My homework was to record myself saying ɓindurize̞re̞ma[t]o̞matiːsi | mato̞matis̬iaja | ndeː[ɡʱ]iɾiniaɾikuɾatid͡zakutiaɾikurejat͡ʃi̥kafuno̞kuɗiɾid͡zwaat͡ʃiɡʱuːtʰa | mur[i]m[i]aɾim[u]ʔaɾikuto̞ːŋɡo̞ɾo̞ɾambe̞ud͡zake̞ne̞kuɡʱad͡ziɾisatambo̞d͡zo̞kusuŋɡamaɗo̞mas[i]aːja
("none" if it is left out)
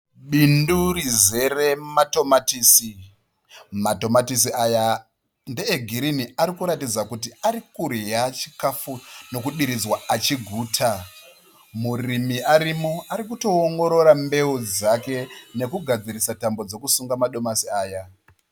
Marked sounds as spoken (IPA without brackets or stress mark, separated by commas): t, ɡʱ, i, i, o, i